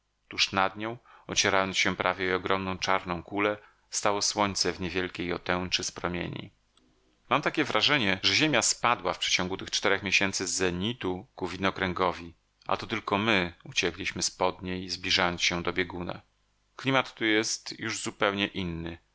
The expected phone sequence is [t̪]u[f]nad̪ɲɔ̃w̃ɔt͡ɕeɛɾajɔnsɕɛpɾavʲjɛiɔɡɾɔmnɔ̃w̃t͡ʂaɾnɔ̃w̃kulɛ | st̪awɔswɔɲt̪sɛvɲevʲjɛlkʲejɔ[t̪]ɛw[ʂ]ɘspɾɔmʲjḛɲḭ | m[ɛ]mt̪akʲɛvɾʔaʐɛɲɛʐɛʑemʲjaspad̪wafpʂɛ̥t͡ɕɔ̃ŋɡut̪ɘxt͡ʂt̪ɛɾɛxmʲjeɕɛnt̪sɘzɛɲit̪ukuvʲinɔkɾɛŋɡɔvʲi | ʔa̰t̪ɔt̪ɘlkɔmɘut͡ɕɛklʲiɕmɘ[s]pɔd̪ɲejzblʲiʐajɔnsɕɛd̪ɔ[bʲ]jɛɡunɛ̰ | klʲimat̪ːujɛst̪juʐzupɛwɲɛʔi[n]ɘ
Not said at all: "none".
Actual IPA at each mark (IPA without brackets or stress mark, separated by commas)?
t̪, ʂ, t̪, t͡ʂ, a, s, bʲ, nː